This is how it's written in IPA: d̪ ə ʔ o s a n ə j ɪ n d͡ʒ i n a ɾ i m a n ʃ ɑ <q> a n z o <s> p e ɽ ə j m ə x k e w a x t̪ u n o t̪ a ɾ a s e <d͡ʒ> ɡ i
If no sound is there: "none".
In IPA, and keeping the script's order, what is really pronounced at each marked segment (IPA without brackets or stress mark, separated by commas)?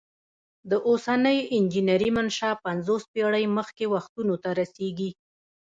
p, s, none